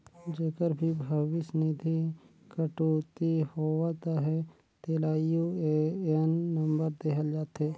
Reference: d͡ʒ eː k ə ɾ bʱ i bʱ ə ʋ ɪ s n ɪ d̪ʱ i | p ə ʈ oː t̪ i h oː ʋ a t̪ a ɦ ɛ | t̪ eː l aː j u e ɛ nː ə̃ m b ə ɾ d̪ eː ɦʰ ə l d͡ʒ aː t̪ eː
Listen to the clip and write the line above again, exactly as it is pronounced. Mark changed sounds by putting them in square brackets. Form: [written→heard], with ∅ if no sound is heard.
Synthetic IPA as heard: d͡ʒ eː k ə ɾ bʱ i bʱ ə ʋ ɪ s n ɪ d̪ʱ i | [p→k] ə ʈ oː t̪ i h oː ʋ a t̪ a ɦ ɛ | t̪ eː l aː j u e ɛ nː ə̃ m b ə ɾ d̪ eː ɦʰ ə l d͡ʒ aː t̪ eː